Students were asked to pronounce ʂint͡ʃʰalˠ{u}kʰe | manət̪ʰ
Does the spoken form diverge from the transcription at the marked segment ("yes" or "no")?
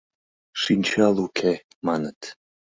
no